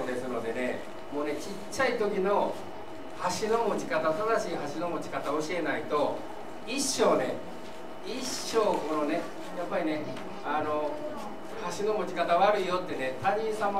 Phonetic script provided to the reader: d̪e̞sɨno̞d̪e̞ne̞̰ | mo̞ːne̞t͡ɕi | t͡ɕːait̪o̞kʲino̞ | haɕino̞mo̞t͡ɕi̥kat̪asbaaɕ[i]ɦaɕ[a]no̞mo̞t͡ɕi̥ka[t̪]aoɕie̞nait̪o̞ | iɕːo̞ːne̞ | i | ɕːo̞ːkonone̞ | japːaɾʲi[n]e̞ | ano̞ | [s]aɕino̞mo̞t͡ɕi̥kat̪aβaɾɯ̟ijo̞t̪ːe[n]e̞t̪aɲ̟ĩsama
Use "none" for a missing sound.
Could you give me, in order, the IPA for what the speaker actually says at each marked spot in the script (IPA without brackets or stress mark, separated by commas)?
iː, i, t̪, n, h, n